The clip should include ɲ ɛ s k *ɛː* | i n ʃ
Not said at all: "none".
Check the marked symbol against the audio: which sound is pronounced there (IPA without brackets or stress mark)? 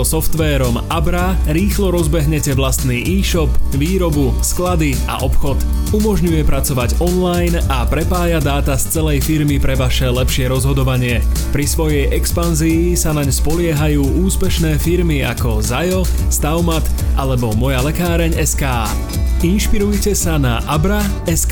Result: aː